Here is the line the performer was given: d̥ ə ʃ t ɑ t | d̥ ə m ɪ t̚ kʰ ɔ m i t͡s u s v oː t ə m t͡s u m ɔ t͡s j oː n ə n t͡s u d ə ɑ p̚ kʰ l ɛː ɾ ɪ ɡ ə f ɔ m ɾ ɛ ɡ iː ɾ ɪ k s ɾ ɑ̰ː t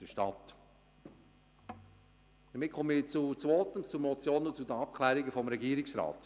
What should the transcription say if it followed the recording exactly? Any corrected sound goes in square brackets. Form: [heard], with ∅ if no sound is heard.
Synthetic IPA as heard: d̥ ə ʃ t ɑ t | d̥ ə m ɪ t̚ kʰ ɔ m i t͡s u [t͡s] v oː t ə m t͡s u m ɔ t͡s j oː n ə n t͡s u d ə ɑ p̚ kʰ l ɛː ɾ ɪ ɡ ə f ɔ m ɾ ɛ ɡ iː ɾ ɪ k s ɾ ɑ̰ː t